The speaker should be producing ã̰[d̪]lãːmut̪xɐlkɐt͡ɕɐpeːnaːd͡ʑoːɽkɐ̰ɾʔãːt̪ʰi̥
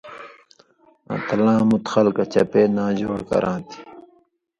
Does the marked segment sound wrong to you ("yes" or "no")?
yes